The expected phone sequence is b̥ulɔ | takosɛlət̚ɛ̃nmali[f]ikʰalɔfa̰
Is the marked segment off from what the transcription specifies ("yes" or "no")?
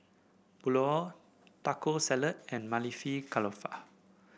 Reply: no